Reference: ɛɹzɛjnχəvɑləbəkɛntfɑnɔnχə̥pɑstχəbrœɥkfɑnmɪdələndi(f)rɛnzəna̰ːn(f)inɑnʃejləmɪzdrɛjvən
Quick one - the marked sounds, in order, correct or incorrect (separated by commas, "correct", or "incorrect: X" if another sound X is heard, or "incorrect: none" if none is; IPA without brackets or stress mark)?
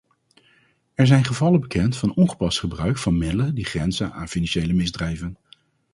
incorrect: χ, correct